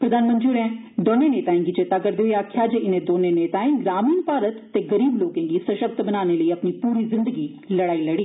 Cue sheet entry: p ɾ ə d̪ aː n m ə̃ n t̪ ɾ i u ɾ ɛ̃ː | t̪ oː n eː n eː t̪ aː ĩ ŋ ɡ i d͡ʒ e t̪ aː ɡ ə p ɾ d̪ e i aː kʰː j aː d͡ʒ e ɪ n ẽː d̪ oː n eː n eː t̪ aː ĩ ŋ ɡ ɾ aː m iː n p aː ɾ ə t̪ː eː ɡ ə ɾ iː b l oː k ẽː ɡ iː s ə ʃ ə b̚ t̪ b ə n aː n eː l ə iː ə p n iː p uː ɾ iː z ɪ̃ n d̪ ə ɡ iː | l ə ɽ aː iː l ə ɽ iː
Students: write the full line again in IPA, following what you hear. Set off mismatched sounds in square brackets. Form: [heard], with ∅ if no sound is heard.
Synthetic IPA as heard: p ɾ ə d̪ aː n m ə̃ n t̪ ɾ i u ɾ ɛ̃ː | [d̪] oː n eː n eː t̪ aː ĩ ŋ ɡ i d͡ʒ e t̪ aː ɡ ə [∅] ɾ d̪ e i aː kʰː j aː d͡ʒ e ɪ n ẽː d̪ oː n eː n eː t̪ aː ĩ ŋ ɡ ɾ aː m iː n p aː ɾ ə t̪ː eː ɡ ə ɾ iː b l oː k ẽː ɡ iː s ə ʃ ə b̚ t̪ b ə n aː n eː l ə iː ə p n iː p uː ɾ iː z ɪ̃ n d̪ ə ɡ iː | l ə ɽ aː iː l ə ɽ iː